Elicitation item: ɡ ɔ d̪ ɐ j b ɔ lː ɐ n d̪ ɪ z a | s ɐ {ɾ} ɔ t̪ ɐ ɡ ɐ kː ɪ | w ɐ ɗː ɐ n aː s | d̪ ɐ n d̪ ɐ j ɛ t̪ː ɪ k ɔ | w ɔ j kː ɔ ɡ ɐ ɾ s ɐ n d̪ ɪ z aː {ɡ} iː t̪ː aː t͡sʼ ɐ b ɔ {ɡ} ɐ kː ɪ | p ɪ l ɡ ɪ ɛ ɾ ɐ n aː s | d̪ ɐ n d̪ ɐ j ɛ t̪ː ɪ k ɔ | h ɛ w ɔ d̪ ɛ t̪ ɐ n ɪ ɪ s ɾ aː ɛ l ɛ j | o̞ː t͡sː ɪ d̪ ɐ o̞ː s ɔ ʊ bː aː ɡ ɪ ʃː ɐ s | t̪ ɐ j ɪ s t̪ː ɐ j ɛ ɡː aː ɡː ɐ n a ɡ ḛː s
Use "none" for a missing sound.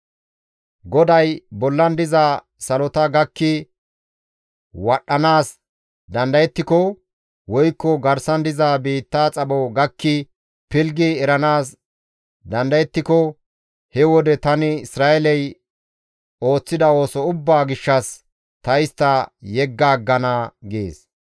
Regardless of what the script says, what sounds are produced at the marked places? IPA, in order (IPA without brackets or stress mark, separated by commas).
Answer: l, b, ɡ